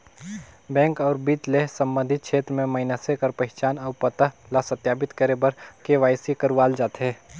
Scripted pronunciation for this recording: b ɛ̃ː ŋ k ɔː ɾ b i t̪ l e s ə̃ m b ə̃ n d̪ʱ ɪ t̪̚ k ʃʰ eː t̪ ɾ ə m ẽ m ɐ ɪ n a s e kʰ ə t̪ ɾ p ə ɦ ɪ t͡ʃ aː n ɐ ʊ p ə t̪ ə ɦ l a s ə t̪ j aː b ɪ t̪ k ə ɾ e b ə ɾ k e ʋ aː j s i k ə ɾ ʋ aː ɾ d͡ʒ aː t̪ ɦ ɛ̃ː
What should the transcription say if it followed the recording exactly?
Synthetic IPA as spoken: b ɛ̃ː ŋ k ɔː ɾ b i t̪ l e s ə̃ m b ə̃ n d̪ʱ ɪ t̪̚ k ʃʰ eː t̪ ɾ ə m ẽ m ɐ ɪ n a s e k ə ɾ p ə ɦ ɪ t͡ʃ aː n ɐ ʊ p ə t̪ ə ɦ l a s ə t̪ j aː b ɪ t̪ k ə ɾ e b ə ɾ k e ʋ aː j s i k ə ɾ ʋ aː l d͡ʒ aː t̪ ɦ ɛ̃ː